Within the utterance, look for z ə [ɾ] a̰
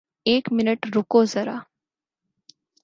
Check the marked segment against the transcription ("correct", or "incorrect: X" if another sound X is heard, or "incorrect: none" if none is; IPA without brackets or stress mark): correct